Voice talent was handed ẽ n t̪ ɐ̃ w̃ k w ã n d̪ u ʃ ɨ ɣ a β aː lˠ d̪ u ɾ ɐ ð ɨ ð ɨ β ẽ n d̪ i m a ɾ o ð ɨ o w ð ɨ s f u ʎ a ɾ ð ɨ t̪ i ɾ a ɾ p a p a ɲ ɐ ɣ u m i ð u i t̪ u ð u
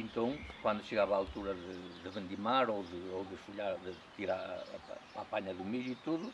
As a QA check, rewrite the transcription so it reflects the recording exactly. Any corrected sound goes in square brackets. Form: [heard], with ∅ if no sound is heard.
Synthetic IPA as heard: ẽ n t̪ ɐ̃ w̃ k w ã n d̪ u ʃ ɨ ɣ a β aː lˠ [t̪] u ɾ ɐ ð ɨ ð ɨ β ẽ n d̪ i m a ɾ o ð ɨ o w ð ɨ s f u ʎ a ɾ ð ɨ t̪ i ɾ a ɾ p a p a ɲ ɐ [ð] u m i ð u i t̪ u ð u

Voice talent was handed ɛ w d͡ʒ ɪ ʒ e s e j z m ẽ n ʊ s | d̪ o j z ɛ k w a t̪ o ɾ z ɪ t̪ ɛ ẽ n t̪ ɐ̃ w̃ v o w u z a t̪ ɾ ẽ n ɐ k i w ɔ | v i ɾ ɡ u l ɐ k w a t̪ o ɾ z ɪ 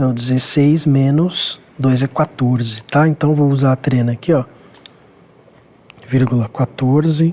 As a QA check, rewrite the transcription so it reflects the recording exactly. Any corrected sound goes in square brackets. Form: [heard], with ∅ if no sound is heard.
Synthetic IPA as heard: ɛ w d͡ʒ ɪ [z] e s e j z m ẽ n ʊ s | d̪ o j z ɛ k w a t̪ o ɾ z ɪ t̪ [a] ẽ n t̪ ɐ̃ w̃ v o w u z a t̪ ɾ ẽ n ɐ k i [∅] ɔ | v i ɾ ɡ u l ɐ k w a t̪ o ɾ z ɪ

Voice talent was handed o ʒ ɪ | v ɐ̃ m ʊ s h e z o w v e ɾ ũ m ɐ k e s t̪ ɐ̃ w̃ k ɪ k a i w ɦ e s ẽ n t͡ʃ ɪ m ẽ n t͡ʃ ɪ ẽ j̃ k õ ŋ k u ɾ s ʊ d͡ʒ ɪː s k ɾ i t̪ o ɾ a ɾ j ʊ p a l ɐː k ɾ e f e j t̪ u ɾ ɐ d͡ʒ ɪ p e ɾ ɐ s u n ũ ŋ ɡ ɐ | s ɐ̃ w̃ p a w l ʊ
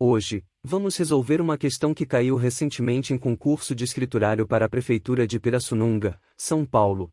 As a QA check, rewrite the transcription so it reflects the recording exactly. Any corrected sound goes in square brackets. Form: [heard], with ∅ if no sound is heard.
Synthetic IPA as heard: o ʒ ɪ | v ɐ̃ m ʊ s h e z o w v e ɾ ũ m ɐ k e s t̪ ɐ̃ w̃ k ɪ k a i w ɦ e s ẽ n t͡ʃ ɪ m ẽ n t͡ʃ ɪ ẽ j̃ k õ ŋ k u ɾ s ʊ d͡ʒ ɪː s k ɾ i t̪ [u] ɾ a ɾ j ʊ p a [ɾ] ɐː [p] ɾ e f e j t̪ u ɾ ɐ d͡ʒ ɪ p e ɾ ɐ s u n ũ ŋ ɡ ɐ | s ɐ̃ w̃ p a w l ʊ

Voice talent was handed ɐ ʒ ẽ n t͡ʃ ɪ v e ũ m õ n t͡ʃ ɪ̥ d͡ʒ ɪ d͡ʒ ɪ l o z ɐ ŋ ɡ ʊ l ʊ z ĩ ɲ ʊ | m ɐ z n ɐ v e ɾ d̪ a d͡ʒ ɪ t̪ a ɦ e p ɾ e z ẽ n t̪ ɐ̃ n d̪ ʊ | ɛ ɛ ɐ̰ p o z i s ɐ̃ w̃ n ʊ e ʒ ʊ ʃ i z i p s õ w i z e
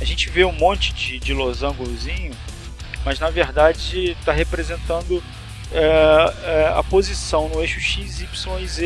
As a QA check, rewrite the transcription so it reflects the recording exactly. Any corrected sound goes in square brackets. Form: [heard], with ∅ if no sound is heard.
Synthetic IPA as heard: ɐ ʒ ẽ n t͡ʃ ɪ v e ũ m õ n t͡ʃ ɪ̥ d͡ʒ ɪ d͡ʒ ɪ l o z [ɐ̃] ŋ ɡ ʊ l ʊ z ĩ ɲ ʊ | m ɐ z n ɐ v e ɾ d̪ a d͡ʒ ɪ t̪ a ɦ e p ɾ e z ẽ n t̪ ɐ̃ n d̪ ʊ | ɛ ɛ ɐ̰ p o z i s ɐ̃ w̃ n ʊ e [ʃ] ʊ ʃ i z i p s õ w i z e

